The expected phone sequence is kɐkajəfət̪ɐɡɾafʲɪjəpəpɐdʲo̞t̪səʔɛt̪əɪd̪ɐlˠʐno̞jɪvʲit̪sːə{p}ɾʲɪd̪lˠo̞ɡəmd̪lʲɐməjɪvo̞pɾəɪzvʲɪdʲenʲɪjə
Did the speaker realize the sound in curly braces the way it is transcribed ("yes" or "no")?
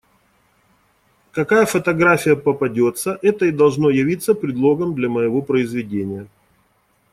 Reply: yes